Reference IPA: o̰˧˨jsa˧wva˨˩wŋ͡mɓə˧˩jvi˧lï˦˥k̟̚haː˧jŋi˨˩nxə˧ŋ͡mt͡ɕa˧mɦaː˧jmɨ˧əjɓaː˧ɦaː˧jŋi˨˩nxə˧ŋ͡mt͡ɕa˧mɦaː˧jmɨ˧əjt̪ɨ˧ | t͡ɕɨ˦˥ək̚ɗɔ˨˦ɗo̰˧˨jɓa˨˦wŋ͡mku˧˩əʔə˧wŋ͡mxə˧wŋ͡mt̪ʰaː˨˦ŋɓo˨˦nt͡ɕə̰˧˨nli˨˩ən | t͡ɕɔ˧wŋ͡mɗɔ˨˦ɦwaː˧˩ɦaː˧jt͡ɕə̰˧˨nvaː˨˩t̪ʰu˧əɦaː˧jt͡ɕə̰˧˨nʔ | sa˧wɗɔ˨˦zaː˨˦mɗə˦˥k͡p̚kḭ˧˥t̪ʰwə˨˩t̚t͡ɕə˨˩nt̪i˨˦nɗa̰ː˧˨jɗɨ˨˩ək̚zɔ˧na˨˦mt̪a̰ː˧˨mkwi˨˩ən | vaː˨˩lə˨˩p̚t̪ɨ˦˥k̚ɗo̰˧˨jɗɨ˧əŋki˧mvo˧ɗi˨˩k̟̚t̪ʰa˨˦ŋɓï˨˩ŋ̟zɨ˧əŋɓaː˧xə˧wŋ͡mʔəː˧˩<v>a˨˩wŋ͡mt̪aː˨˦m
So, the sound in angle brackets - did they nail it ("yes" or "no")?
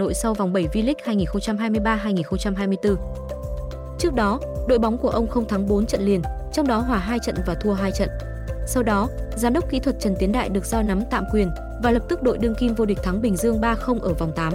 yes